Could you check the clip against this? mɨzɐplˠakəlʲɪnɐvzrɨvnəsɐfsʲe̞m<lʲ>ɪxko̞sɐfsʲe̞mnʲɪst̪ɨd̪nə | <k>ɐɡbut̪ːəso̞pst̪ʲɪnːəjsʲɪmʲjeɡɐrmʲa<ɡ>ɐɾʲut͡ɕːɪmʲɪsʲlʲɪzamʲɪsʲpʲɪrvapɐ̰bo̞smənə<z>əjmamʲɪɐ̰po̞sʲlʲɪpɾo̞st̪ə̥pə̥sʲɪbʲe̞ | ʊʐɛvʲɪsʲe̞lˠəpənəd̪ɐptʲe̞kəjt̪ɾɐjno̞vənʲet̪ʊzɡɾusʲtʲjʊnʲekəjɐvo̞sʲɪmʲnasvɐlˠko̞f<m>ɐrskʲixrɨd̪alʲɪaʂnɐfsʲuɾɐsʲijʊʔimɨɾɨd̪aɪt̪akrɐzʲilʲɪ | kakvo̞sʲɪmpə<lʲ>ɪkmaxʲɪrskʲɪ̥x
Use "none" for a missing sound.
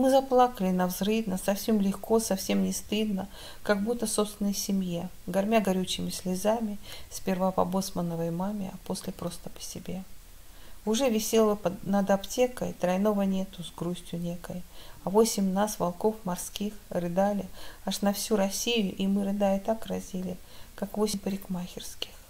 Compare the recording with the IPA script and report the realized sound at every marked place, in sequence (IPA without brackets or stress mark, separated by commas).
lʲ, k, ɡ, v, m, ɾʲ